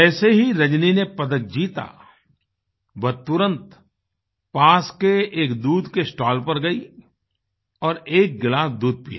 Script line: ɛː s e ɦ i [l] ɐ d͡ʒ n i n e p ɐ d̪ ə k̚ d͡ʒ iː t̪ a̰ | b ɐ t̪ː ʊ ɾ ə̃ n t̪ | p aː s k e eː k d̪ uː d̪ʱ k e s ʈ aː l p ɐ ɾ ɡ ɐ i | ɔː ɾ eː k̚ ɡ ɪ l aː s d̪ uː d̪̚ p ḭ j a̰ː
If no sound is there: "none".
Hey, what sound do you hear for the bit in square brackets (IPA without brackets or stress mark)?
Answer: ɾ